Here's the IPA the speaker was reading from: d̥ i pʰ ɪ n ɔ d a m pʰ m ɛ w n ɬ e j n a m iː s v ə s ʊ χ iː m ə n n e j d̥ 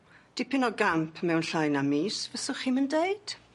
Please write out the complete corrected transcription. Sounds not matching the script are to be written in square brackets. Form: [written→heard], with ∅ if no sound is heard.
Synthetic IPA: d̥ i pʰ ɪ n ɔ [d→ɡ] a m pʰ m ɛ w n ɬ [e→a] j n a m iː s v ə s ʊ χ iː m ə n [n→d] e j d̥